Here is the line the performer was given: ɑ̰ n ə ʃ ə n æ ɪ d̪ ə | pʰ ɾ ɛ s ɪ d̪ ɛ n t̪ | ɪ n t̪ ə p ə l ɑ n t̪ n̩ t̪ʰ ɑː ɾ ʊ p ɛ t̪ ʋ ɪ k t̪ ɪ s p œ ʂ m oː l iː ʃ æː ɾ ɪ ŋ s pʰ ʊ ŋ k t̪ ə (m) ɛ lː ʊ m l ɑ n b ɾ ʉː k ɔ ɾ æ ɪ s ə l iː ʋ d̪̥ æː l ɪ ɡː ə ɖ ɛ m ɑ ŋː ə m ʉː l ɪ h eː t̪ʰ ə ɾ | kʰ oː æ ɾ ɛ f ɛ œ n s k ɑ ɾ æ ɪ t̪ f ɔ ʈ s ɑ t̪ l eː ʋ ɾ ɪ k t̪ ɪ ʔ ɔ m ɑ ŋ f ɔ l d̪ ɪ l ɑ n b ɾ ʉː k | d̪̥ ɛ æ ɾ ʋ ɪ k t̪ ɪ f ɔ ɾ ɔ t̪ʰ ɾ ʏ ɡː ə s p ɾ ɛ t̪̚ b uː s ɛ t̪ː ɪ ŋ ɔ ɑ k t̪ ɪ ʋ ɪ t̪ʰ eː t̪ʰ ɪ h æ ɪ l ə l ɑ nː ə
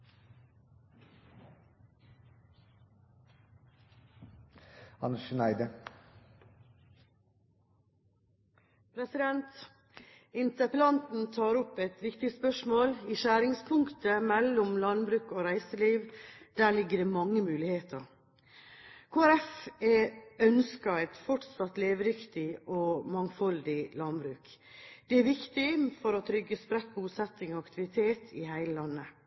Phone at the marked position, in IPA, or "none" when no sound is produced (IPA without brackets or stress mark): m